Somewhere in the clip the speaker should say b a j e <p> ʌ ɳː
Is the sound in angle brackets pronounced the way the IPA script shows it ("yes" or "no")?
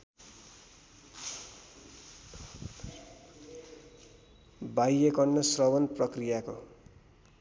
no